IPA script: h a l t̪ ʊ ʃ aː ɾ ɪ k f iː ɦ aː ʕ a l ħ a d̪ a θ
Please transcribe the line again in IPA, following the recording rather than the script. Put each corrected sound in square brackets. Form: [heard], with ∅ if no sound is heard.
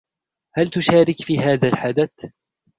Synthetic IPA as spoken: h a l t̪ ʊ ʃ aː ɾ ɪ k f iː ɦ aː [ð] a l ħ a d̪ a θ